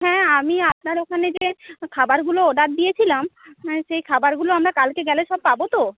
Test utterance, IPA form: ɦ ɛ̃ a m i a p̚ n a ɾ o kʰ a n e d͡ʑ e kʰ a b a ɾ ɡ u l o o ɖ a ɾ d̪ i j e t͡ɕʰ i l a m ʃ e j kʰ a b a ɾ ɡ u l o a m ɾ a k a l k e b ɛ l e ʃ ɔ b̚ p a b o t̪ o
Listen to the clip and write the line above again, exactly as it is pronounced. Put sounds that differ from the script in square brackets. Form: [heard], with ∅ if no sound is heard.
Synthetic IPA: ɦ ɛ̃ a m i a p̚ n a ɾ o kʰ a n e d͡ʑ e kʰ a b a ɾ ɡ u l o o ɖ a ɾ d̪ i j e t͡ɕʰ i l a m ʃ e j kʰ a b a ɾ ɡ u l o a m ɾ a k a l k e [ɡ] ɛ l e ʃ ɔ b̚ p a b o t̪ o

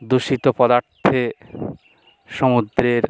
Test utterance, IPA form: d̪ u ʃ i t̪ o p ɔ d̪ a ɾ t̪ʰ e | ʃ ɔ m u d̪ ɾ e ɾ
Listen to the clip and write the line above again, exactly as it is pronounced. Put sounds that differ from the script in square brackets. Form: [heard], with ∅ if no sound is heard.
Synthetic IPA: d̪ u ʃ i t̪ o p ɔ d̪ a ɾ t̪ʰ e | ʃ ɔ m u d̪ ɾ e ɾ

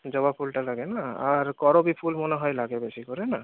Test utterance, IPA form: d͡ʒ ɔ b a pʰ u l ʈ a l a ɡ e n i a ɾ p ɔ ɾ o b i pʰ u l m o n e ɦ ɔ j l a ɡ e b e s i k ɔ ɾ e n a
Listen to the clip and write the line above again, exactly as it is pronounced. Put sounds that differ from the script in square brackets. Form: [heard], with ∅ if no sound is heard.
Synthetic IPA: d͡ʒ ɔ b a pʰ u l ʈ a l a ɡ e n [a] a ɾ [k] ɔ ɾ o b i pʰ u l m o n e ɦ ɔ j l a ɡ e b e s i k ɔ ɾ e n a

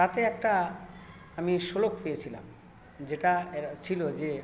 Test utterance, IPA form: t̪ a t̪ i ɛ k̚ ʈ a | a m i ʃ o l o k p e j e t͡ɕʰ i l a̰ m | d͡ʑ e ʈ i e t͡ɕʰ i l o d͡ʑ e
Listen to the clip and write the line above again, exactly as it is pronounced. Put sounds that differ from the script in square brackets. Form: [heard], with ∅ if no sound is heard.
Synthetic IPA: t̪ a t̪ [e] ɛ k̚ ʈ a | a m i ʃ o l o k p e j e t͡ɕʰ i l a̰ m | d͡ʑ e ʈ [a] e t͡ɕʰ i l o d͡ʑ e

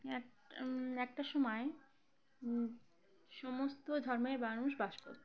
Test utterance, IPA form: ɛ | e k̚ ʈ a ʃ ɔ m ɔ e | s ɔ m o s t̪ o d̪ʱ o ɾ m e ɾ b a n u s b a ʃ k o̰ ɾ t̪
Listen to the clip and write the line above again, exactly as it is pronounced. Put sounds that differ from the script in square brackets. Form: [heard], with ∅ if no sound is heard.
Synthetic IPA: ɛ | [ɛ] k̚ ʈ a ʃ ɔ m ɔ e | [ʃ] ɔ m o s t̪ o d̪ʱ [ɔ] ɾ m e ɾ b a n u [ʃ] b a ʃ k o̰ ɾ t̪

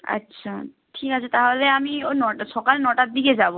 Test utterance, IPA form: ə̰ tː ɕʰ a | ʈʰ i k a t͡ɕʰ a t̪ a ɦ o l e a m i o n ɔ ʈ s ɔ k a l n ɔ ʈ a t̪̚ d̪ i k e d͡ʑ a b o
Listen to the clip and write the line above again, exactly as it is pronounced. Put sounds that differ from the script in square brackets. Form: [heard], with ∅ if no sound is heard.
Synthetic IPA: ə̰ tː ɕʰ a | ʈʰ i k a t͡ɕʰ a t̪ a ɦ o l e a m i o n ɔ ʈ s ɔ k a l n ɔ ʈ a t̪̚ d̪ i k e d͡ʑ a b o

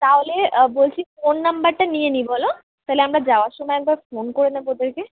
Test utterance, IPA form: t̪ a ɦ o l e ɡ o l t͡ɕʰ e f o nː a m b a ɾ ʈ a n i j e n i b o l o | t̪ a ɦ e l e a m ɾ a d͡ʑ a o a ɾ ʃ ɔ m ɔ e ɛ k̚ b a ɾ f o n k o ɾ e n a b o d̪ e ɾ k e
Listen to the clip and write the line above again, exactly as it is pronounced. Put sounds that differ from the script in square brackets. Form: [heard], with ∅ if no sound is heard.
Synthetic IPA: t̪ a ɦ o l e [b] o l t͡ɕʰ [i] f o nː a m b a ɾ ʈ a n i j e n i b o l o | t̪ a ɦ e l e a m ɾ a d͡ʑ a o a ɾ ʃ ɔ m ɔ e ɛ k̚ b a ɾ f o n k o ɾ e n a b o d̪ e ɾ k e

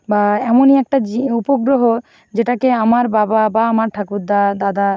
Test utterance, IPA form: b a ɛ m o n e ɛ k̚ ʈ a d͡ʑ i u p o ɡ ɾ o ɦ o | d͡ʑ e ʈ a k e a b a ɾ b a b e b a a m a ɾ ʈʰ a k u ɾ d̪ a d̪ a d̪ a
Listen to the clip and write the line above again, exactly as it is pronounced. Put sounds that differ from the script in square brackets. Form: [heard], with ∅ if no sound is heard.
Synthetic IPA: b a ɛ m o n [i] ɛ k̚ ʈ a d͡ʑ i u p o ɡ ɾ o ɦ o | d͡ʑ e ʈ a k e a [m] a ɾ b a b [a] b a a m a ɾ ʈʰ a k u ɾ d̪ a d̪ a d̪ a

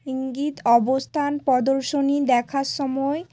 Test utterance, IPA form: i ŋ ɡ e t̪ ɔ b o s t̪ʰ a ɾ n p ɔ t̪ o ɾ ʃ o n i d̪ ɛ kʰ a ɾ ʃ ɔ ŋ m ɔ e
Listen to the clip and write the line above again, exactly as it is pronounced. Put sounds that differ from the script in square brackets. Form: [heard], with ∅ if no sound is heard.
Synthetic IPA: i ŋ ɡ [i] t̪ ɔ b o s t̪ʰ a [∅] n p ɔ [d̪] o ɾ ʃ o n i d̪ ɛ kʰ a ɾ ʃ ɔ [∅] m ɔ e

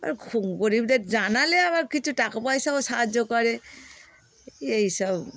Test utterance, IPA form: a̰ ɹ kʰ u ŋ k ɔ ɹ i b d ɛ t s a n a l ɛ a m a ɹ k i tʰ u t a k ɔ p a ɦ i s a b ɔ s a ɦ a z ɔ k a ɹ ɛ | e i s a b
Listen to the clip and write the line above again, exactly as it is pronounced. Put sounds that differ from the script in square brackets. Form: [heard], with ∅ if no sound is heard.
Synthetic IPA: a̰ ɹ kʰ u ŋ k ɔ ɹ i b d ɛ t [z] a n a l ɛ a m a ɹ k i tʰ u t a k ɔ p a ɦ i s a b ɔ s a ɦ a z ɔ k a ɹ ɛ | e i s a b

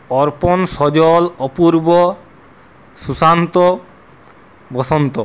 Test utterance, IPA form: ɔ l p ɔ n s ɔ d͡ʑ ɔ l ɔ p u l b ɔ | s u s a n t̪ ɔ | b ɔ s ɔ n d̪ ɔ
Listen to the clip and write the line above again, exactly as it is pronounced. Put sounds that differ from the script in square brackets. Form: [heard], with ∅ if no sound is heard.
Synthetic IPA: ɔ [ɾ] p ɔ n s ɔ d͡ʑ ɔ l ɔ p u [ɾ] b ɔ | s u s a n t̪ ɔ | b ɔ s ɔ n [t̪] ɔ

